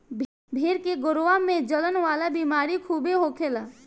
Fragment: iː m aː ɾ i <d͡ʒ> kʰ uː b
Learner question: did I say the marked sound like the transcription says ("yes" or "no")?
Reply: no